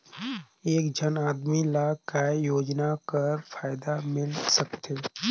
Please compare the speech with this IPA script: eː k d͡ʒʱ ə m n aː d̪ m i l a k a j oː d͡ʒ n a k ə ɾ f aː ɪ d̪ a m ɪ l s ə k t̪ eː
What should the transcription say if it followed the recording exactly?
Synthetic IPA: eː k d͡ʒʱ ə n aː d̪ m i l a k a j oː d͡ʒ n a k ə ɾ f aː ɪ d̪ a m ɪ l s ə k t̪ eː